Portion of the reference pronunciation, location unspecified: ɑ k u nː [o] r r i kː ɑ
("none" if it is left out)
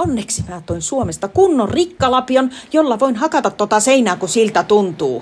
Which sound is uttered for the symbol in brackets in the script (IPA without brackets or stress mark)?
o